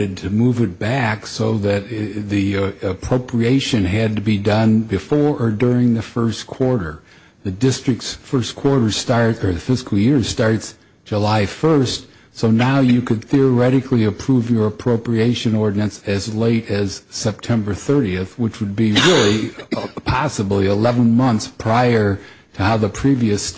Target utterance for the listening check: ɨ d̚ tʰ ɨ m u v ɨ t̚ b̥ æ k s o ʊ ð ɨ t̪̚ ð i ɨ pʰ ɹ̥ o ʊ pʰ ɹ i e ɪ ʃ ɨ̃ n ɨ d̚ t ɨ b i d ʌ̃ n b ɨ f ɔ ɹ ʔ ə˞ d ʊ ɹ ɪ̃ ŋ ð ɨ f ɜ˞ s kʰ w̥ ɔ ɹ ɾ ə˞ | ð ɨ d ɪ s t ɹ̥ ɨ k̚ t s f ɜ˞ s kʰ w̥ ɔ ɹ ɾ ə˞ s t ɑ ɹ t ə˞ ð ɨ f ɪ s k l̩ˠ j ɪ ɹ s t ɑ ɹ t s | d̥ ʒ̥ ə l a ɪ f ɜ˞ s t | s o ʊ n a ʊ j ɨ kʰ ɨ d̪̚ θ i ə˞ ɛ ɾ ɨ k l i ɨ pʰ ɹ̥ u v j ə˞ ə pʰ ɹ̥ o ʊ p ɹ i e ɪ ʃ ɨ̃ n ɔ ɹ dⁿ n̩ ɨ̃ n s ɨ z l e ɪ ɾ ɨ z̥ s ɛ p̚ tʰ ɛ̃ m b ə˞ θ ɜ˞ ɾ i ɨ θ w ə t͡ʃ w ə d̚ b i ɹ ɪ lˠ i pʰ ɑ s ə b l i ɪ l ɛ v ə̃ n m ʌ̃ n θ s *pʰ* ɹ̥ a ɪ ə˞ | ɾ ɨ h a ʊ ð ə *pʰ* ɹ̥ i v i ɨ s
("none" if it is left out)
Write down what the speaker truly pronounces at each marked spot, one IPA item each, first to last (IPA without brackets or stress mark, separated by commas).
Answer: pʰ, pʰ